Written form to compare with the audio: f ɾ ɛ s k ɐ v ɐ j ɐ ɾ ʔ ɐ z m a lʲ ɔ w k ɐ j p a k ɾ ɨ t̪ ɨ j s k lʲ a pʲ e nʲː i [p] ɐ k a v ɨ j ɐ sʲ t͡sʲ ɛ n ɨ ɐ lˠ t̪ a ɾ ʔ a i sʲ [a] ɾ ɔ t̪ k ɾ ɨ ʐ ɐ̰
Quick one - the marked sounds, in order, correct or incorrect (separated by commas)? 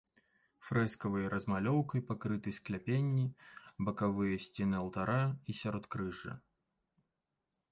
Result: incorrect, correct